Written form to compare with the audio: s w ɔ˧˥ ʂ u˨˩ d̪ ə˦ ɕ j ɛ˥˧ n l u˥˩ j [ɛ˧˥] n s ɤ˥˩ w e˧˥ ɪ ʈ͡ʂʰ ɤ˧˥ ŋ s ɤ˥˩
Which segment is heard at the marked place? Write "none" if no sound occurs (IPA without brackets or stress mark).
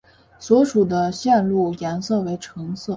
ɛ˧˥